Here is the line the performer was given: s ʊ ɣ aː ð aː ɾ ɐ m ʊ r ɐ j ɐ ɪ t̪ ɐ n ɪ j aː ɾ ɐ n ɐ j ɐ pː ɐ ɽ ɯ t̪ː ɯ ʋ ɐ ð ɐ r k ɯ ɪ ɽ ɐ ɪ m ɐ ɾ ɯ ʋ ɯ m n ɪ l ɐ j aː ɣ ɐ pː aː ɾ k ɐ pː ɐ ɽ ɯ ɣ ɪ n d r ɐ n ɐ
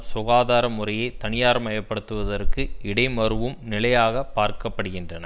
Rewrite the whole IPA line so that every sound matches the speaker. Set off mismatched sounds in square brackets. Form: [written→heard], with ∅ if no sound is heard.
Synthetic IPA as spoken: s ʊ ɣ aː ð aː ɾ ɐ m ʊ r ɐ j ɐ ɪ t̪ ɐ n ɪ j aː ɾ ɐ [n→m] ɐ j ɐ pː ɐ ɽ ɯ t̪ː ɯ ʋ ɐ ð ɐ r k ɯ ɪ ɽ ɐ ɪ m ɐ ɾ ɯ ʋ ɯ m n ɪ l ɐ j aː ɣ ɐ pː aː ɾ k ɐ pː ɐ ɽ ɯ ɣ ɪ n d r ɐ n ɐ

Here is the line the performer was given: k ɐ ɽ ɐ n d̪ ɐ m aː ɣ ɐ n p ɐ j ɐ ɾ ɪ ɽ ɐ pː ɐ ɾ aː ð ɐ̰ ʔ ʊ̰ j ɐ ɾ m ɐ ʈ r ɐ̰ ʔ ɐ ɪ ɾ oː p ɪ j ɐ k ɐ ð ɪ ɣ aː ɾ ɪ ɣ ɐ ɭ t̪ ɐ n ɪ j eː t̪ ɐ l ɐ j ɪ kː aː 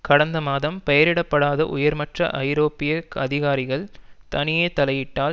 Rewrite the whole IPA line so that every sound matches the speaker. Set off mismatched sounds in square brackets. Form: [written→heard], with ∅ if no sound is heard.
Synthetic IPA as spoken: k ɐ ɽ ɐ n d̪ ɐ m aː [ɣ→ð] ɐ [n→m] p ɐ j ɐ ɾ ɪ ɽ ɐ pː ɐ [ɾ→ɽ] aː ð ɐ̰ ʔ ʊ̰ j ɐ ɾ m ɐ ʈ r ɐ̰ ʔ ɐ ɪ ɾ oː p ɪ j ɐ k ɐ ð ɪ ɣ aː ɾ ɪ ɣ ɐ ɭ t̪ ɐ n ɪ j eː t̪ ɐ l ɐ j ɪ [kː→ʈː] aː

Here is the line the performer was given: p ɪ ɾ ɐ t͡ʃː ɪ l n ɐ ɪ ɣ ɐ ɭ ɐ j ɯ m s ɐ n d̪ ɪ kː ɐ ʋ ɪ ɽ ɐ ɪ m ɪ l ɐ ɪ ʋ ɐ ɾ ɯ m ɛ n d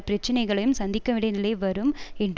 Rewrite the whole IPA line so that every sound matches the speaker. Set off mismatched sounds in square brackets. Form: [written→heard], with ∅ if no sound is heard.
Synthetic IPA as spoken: p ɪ ɾ ɐ t͡ʃː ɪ [l→∅] n ɐ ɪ ɣ ɐ ɭ ɐ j ɯ m s ɐ n d̪ ɪ kː ɐ ʋ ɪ ɽ ɐ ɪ [m→n] ɪ l ɐ ɪ ʋ ɐ ɾ ɯ m ɛ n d

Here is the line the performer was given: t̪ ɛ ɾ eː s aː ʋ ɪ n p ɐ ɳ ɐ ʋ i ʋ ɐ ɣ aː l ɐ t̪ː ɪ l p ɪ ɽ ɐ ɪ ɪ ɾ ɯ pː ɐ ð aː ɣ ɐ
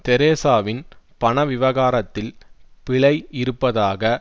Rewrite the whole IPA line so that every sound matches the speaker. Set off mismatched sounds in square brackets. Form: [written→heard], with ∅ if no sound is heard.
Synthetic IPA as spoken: t̪ ɛ ɾ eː s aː ʋ ɪ n p ɐ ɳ ɐ ʋ [i→ɪ] ʋ ɐ ɣ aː [l→ɾ] ɐ t̪ː ɪ l p ɪ [ɽ→ɭ] ɐ ɪ ɪ ɾ ɯ pː ɐ ð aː ɣ ɐ

